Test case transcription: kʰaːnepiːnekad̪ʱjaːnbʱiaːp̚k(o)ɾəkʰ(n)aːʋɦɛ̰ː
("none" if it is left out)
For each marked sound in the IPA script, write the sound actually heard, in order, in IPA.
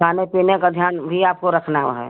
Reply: o, n

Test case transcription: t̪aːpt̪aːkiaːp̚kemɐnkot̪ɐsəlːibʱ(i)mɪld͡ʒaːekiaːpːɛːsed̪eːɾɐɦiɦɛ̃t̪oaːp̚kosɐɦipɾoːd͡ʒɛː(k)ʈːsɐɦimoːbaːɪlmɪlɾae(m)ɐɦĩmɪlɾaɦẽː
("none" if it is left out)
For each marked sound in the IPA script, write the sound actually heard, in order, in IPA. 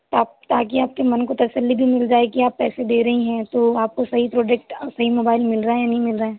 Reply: i, k, n

